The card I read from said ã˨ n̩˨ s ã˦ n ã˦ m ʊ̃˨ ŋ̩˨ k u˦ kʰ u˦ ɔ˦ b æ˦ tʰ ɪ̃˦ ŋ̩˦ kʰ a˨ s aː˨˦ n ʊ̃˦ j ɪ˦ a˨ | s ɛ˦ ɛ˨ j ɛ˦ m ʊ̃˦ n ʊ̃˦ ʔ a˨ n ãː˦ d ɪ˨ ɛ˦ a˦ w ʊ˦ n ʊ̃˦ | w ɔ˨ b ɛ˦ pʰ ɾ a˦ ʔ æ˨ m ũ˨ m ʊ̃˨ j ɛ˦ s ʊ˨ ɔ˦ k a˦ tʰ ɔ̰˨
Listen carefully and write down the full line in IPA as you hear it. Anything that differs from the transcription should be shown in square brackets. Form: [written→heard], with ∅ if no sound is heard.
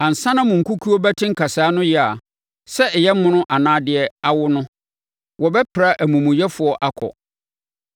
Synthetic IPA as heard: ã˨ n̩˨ s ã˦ n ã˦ m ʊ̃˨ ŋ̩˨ k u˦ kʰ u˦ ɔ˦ b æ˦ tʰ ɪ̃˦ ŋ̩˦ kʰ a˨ s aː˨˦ n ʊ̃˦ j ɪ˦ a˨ | s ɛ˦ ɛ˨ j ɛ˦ m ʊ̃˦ n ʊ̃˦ ʔ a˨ n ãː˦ d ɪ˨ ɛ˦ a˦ w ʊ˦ n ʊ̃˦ | w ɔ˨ b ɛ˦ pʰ ɾ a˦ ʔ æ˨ m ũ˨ m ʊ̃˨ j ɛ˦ [s→f] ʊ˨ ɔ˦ [k→ʔ] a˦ [tʰ→kʰ] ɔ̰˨